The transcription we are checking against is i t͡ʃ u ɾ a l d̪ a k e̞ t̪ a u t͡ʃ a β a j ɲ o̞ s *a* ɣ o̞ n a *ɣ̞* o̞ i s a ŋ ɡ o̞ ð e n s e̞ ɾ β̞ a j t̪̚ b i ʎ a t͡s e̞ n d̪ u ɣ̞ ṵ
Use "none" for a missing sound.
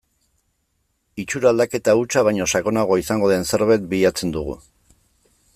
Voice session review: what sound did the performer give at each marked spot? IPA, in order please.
a, ɣ̞

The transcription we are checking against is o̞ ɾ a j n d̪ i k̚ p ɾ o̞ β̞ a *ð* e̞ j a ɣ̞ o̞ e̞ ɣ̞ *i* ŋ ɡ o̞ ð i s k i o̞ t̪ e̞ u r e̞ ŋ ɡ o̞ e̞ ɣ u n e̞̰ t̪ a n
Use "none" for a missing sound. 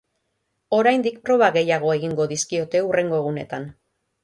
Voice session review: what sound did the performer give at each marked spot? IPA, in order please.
ɣ, i

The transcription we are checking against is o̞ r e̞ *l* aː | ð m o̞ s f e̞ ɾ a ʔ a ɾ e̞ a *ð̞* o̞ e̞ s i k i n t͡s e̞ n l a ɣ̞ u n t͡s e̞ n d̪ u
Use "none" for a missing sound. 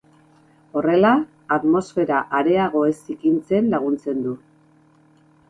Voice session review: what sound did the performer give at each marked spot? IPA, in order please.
l, ɣ̞

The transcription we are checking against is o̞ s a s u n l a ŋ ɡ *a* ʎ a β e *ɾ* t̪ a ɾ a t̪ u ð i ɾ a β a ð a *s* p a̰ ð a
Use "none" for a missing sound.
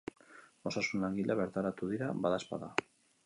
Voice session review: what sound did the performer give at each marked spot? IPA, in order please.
i, ɾ, s

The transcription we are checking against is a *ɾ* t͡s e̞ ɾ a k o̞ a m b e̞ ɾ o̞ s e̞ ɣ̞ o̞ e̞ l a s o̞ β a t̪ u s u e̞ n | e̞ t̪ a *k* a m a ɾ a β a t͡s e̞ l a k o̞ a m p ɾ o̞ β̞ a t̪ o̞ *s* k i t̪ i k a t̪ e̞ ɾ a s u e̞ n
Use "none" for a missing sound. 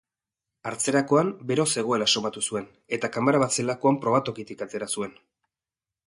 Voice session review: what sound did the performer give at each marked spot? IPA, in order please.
ɾ, k, none

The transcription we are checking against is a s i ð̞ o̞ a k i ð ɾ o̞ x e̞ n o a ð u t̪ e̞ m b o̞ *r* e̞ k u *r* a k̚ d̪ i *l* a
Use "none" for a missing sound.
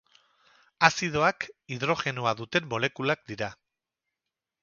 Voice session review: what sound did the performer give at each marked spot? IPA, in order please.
l, l, ɾ

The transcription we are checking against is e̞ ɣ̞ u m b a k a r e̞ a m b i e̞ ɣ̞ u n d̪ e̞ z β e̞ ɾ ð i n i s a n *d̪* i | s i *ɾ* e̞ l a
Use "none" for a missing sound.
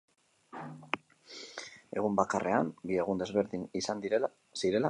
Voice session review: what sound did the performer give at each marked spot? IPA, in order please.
d̪, ɾ

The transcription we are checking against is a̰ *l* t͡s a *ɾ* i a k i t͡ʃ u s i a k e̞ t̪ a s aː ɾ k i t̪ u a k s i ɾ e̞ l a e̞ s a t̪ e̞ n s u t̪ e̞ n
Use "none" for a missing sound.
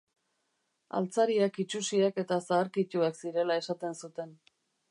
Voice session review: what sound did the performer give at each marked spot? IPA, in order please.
l, ɾ

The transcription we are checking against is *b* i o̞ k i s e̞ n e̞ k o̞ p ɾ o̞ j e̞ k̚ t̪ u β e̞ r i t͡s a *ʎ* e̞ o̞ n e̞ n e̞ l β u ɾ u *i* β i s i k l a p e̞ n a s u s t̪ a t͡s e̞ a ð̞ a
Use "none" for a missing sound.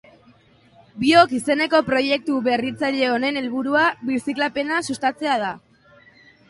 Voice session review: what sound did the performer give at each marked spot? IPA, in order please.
b, ʎ, a

